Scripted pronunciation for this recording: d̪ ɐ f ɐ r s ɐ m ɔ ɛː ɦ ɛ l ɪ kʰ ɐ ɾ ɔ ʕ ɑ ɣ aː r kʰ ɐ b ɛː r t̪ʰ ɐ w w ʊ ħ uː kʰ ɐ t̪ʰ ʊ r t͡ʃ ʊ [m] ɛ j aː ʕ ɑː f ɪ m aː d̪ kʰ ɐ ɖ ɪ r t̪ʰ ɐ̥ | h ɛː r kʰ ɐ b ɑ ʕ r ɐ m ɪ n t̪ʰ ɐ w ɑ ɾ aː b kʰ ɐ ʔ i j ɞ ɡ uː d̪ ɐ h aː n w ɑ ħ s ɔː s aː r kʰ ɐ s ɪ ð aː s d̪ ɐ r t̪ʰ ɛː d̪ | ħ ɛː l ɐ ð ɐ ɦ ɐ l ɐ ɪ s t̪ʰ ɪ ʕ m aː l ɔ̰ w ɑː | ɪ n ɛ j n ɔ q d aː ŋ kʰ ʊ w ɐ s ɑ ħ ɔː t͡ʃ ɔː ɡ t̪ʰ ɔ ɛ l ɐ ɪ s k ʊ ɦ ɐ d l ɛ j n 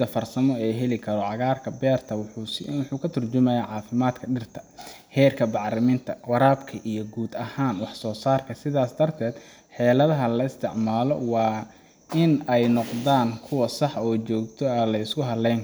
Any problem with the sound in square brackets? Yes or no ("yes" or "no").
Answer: no